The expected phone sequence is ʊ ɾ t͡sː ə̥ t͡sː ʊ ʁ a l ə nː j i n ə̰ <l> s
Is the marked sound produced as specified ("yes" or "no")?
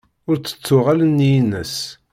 no